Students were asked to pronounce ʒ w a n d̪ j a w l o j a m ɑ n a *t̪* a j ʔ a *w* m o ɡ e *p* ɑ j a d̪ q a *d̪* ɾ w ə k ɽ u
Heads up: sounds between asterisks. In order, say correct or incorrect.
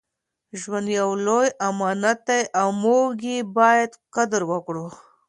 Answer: correct, correct, incorrect, correct

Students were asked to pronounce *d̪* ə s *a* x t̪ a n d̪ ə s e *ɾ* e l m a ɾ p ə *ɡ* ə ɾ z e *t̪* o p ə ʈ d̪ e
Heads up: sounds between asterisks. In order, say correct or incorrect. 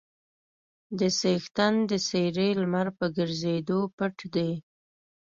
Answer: correct, incorrect, correct, correct, incorrect

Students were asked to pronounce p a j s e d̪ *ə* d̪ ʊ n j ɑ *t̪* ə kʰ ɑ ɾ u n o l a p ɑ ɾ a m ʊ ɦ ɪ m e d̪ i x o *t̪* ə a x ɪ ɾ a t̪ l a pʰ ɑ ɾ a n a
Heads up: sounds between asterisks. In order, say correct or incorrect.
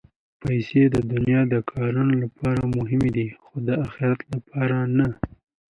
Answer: correct, incorrect, incorrect

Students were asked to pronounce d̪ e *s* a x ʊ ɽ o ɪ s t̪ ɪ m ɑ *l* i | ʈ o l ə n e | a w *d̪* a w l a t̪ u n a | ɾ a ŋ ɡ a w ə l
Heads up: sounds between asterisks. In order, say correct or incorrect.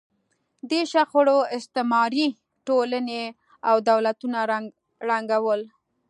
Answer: incorrect, incorrect, correct

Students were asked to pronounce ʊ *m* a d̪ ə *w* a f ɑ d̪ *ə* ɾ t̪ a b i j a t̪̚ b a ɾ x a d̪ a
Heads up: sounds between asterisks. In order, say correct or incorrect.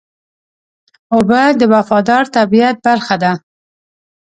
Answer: incorrect, correct, incorrect

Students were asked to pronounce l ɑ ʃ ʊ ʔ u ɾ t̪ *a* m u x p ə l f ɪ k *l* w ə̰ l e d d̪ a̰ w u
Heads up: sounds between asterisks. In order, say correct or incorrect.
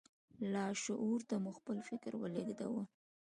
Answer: correct, incorrect

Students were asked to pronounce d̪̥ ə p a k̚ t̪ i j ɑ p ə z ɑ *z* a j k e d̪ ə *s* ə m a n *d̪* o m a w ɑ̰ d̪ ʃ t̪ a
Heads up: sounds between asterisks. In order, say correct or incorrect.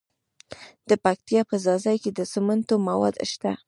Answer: correct, correct, incorrect

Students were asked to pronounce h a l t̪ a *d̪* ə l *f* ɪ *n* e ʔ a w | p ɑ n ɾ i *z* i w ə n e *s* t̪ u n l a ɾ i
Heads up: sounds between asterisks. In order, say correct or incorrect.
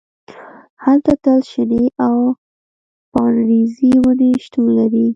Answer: incorrect, incorrect, correct, correct, incorrect

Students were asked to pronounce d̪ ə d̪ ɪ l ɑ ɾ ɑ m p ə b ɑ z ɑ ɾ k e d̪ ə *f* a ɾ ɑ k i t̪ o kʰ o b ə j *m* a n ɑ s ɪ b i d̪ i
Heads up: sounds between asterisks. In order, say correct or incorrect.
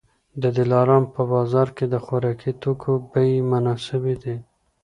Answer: incorrect, correct

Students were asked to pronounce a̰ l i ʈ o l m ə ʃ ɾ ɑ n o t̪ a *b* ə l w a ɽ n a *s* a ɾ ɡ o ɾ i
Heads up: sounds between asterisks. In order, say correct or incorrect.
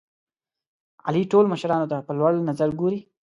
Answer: incorrect, incorrect

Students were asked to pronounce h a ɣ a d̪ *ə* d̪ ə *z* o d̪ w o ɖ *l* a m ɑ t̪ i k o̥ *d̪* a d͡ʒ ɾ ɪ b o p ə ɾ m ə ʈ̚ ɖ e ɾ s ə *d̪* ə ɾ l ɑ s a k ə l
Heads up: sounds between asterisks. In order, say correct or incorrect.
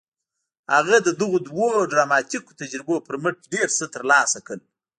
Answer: correct, incorrect, incorrect, incorrect, incorrect

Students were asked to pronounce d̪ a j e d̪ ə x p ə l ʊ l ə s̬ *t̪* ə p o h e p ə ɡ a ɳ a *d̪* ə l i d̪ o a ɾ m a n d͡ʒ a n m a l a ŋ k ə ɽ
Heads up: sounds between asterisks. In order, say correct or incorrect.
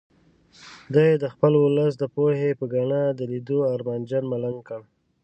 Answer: incorrect, correct

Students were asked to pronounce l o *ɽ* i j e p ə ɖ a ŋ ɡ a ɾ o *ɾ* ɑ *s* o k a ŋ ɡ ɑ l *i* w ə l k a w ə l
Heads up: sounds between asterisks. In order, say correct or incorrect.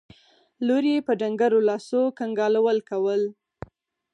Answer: incorrect, incorrect, correct, incorrect

